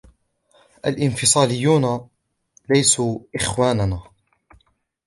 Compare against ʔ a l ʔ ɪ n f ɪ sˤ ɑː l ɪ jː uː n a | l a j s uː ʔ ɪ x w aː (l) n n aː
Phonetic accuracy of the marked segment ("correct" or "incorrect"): incorrect